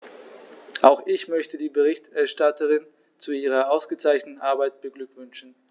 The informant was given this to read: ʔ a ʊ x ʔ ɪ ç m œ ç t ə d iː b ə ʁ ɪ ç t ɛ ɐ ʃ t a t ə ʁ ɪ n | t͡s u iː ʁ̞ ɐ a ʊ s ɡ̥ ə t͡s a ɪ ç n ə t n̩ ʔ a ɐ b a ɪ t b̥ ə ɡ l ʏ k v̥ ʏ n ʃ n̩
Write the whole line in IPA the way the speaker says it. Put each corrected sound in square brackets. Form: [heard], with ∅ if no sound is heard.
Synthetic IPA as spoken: ʔ a ʊ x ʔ ɪ ç m œ ç t ə d iː b ə ʁ ɪ ç t ɛ ɐ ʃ t a t ə ʁ ɪ n | t͡s u iː ʁ̞ ɐ a ʊ s ɡ̥ ə t͡s a ɪ ç n ə t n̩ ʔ a ɐ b a ɪ t b̥ ə ɡ l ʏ k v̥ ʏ n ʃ n̩